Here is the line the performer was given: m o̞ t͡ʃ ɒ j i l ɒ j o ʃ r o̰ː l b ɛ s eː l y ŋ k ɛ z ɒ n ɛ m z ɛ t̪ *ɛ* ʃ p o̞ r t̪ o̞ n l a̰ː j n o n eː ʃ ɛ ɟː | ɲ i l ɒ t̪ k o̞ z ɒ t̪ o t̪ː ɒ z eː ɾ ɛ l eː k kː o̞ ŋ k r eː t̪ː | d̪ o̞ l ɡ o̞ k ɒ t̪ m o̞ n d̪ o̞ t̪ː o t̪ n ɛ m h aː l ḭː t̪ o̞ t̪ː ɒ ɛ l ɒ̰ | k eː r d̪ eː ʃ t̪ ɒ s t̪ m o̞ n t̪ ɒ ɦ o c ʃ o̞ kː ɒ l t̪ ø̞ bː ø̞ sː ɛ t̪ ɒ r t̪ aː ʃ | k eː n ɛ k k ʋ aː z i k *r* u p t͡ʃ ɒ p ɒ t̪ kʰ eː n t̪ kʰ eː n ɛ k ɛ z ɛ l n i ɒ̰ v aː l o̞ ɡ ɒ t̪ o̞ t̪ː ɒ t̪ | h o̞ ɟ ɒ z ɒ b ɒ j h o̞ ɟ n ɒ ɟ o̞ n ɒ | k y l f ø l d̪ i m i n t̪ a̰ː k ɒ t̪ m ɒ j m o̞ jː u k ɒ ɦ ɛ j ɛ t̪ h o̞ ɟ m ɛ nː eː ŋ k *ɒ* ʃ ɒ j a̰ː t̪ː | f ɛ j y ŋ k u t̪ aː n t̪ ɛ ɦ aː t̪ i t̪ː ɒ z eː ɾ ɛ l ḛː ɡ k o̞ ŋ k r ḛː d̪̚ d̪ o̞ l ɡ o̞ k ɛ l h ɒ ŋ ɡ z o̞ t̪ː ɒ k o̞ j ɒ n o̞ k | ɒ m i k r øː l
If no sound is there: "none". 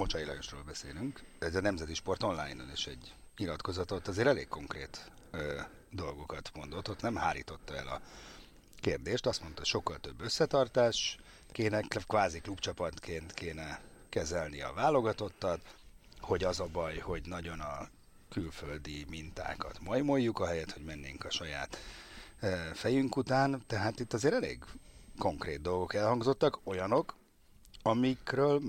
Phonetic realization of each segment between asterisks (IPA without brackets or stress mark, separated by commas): i, l, ɒ